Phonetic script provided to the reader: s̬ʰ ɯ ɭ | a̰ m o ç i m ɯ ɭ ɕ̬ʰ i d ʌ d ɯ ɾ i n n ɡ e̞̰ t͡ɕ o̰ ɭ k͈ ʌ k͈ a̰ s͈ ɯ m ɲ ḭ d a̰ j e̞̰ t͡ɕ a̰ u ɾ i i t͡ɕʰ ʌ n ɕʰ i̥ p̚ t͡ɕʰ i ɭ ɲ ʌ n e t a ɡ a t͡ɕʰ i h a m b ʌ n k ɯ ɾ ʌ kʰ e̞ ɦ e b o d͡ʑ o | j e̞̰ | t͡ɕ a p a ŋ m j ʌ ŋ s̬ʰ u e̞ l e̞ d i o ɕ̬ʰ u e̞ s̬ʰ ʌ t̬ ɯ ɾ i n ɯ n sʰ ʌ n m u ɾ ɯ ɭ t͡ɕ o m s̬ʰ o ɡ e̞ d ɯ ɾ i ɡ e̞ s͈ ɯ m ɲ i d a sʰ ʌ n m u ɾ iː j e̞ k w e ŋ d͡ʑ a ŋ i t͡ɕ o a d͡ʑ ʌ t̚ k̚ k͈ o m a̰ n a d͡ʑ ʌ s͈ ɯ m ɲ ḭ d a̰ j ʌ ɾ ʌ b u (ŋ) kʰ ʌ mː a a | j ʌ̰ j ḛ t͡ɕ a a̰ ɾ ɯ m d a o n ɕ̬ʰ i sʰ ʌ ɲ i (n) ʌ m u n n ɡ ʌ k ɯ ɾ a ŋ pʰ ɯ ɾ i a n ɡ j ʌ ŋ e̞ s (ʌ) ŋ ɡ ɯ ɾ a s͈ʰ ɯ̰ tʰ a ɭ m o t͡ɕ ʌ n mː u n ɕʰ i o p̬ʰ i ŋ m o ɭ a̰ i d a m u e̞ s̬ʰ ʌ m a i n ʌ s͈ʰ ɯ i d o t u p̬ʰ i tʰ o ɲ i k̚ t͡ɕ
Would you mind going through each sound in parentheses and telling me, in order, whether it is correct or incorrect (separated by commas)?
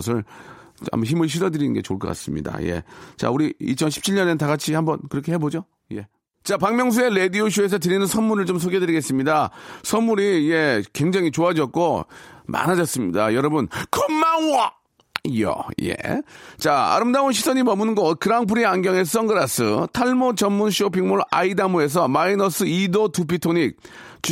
incorrect, incorrect, correct